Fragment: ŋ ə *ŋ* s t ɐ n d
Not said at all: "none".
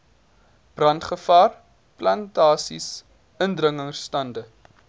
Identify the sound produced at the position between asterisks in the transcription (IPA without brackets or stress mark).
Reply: ŋ